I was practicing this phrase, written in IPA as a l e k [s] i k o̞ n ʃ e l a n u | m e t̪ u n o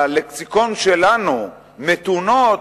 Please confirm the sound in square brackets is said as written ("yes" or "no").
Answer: yes